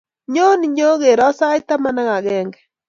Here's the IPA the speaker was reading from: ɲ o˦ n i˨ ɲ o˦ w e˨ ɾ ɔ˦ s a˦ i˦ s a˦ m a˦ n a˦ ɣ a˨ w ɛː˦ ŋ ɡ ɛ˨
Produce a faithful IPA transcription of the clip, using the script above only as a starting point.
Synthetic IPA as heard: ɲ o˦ n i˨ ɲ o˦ ɣ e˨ ɾ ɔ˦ s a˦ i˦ t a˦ m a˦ n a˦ ɣ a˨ ɣ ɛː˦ ŋ ɡ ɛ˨